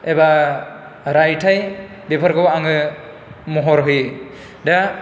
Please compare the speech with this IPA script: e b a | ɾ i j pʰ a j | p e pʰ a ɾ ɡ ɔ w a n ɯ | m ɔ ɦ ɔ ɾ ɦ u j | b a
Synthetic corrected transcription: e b a | ɾ a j tʰ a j | b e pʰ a ɾ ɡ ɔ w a ŋ ɯ | m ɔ ɦ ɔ ɾ ɦ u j | d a